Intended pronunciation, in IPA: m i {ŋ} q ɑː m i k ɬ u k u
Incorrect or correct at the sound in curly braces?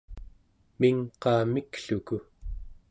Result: correct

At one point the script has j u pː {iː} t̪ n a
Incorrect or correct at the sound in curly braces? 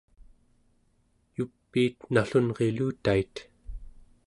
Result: correct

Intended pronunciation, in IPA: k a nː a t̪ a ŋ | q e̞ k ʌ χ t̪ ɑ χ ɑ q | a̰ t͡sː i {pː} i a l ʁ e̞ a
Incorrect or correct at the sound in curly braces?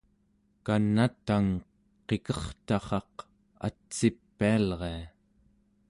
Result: correct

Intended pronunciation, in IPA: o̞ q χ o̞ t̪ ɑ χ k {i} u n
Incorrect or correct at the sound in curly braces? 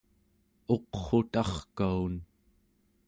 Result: incorrect: a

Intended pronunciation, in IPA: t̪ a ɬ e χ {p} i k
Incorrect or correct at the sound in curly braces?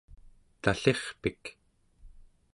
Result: correct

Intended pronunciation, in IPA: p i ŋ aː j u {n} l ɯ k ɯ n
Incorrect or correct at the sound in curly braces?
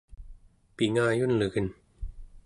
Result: correct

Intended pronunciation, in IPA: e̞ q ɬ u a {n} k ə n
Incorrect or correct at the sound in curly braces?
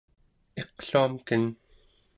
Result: incorrect: m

